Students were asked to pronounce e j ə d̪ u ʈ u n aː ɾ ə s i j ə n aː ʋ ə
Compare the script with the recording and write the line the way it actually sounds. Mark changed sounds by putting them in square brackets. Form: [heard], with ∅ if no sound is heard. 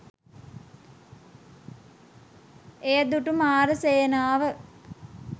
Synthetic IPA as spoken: e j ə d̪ u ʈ u [m] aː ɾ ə s [e] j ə n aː ʋ ə

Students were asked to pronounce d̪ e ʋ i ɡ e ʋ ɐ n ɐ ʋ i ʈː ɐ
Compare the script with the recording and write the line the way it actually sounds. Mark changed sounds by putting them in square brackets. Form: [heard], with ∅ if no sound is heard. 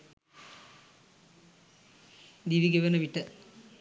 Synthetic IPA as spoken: d̪ [i] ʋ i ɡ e ʋ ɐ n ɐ ʋ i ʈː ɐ

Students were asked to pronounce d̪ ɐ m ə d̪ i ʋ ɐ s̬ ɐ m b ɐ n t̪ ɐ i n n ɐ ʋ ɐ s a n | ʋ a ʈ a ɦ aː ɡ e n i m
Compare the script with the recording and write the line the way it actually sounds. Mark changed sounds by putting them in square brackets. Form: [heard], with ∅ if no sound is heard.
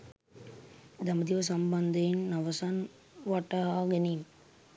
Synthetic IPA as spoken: d̪ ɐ m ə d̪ i ʋ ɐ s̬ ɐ m b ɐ n [d̪] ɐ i n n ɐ ʋ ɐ s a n | ʋ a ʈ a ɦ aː ɡ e n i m

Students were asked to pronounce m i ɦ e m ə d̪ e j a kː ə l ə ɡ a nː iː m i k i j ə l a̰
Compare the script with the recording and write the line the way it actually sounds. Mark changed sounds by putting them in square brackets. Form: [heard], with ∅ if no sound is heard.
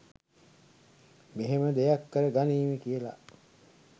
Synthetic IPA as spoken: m [e] ɦ e m ə d̪ e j a kː ə [ɾ] ə ɡ a [n] iː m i k i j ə l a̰

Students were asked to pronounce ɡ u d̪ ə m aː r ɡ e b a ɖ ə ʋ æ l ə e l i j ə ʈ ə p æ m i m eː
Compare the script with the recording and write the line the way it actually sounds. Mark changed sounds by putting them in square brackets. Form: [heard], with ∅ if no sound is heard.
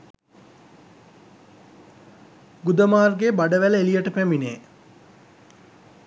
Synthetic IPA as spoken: ɡ u d̪ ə m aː r ɡ e b a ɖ ə ʋ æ l ə e l i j ə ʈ ə p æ m i [n] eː

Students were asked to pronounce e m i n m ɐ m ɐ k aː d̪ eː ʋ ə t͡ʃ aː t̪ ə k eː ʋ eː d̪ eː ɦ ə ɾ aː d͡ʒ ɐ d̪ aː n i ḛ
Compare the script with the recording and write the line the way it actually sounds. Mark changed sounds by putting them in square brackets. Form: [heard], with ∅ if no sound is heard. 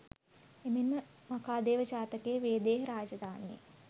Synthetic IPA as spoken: e m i n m [ə] m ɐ k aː d̪ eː ʋ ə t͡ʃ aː t̪ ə k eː ʋ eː d̪ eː ɦ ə ɾ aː d͡ʒ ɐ d̪ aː n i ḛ

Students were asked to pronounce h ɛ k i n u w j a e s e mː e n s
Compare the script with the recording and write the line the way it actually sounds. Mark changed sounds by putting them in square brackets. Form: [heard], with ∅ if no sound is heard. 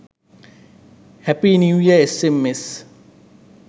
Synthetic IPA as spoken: h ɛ [p] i n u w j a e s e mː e [∅] s

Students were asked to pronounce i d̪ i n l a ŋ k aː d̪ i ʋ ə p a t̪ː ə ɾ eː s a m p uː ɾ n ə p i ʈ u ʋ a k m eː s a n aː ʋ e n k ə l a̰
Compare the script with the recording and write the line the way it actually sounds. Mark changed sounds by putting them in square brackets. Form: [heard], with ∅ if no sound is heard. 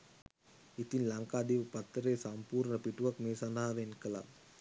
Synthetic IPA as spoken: i [t̪] i n l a ŋ k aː d̪ i ʋ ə p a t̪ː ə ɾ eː s a m p uː ɾ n ə p i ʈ u ʋ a k m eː s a n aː ʋ e n k ə l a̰

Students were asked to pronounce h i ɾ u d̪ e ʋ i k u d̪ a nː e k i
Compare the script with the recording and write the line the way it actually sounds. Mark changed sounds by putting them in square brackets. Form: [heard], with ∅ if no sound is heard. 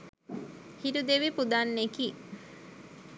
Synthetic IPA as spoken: h i ɾ u d̪ e ʋ i [p] u d̪ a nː e k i

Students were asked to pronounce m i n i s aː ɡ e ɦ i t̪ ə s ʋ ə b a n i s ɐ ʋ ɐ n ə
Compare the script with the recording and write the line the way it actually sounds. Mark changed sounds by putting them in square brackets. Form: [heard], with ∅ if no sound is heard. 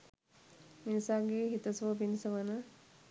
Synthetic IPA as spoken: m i n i s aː ɡ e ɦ i t̪ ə s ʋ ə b [i] n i s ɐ ʋ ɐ n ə

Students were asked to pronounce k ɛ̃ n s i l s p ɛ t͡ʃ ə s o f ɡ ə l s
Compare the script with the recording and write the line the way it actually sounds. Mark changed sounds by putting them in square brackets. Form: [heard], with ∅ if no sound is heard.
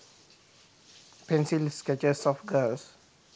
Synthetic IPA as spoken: [p] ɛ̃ n s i l s [k] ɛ t͡ʃ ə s [ɔ] f ɡ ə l s

